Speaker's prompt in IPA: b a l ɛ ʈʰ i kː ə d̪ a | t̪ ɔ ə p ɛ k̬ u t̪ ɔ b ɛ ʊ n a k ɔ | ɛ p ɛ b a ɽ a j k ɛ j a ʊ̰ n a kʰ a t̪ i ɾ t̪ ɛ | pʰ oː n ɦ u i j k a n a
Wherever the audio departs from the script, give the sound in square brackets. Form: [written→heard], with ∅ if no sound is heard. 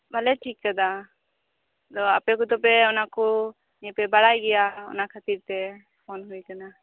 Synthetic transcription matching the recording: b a l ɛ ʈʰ i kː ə d̪ a | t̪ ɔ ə p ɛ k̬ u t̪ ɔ [b→p] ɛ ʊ n a k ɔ | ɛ p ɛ b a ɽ a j [k→ɡ] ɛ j a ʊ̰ n a kʰ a t̪ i ɾ t̪ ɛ | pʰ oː n ɦ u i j k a n a